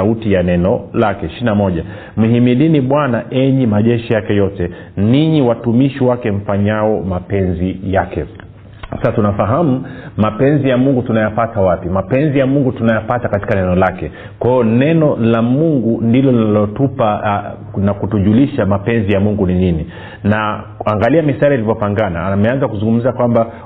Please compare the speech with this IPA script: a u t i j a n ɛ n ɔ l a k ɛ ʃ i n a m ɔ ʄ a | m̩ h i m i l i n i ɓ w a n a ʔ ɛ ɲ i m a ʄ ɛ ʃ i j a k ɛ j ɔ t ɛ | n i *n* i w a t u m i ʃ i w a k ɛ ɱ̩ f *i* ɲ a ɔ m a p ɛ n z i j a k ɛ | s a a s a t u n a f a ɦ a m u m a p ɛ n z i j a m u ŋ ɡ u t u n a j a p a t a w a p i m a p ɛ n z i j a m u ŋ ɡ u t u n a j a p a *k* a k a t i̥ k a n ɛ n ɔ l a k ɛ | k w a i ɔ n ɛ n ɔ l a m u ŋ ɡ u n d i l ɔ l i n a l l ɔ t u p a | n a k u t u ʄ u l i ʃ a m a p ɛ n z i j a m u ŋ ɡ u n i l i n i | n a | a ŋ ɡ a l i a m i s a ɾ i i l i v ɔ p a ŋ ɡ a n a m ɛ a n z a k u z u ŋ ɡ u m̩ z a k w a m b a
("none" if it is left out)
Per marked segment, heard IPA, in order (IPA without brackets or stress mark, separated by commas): ɲ, a, t